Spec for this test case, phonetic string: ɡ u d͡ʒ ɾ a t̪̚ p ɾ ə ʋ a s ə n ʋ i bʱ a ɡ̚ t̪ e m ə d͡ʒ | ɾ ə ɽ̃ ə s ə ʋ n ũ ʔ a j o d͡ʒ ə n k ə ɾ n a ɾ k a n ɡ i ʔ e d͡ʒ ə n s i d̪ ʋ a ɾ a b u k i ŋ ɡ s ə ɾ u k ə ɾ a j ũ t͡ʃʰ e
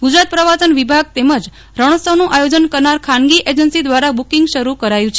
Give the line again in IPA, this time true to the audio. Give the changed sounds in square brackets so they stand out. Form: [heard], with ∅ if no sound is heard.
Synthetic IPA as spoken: ɡ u d͡ʒ ɾ a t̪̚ p ɾ ə ʋ a s ə n ʋ i bʱ a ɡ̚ t̪ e m ə d͡ʒ | ɾ ə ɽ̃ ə s ə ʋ n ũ ʔ a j o d͡ʒ ə n k ə ɾ n a ɾ [kʰ] a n ɡ i ʔ e d͡ʒ ə n s i d̪ ʋ a ɾ a b u k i ŋ ɡ [ʃ] ə ɾ u k ə ɾ a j ũ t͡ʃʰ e